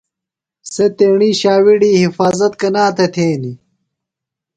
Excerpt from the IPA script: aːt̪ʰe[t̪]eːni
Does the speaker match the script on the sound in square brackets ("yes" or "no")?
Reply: no